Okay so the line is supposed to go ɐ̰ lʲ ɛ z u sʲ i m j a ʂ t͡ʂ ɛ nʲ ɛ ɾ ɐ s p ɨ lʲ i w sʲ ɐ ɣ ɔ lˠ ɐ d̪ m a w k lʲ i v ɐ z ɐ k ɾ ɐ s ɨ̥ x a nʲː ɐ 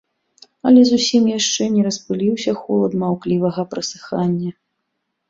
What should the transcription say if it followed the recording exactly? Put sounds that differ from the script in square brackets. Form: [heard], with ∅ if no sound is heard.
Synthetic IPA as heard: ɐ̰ lʲ ɛ z u sʲ i m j a ʂ t͡ʂ ɛ nʲ ɛ ɾ ɐ s p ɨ lʲ i w sʲ ɐ [x] ɔ lˠ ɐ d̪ m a w k lʲ i v ɐ [ɣ] ɐ [p] ɾ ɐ s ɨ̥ x a nʲː ɐ